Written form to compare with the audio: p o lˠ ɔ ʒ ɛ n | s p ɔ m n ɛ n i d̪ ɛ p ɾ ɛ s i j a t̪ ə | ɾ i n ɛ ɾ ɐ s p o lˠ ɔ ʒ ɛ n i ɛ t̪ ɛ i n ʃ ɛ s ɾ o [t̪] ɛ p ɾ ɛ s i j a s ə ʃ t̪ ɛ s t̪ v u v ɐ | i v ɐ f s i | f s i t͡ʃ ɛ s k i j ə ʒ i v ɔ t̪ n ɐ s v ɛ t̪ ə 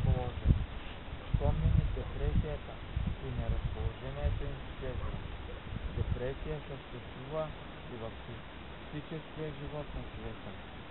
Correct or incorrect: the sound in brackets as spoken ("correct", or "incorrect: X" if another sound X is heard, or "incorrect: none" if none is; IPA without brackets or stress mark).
incorrect: d̪